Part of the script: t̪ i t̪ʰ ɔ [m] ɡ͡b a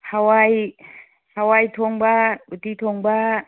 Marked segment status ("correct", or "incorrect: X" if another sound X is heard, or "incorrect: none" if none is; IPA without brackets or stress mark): incorrect: ŋ